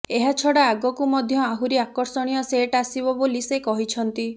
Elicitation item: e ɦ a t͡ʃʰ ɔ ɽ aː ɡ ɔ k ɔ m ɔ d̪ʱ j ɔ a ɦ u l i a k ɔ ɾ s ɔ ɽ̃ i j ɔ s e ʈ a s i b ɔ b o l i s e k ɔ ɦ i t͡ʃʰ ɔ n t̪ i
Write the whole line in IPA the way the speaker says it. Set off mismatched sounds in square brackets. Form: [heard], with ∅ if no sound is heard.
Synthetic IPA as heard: e ɦ a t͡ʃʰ ɔ ɽ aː ɡ ɔ k [u] m ɔ d̪ʱ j ɔ a ɦ u [ɾ] i a k ɔ ɾ s ɔ ɽ̃ i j ɔ s e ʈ a s i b ɔ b o l i s e k ɔ ɦ i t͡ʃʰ ɔ n t̪ i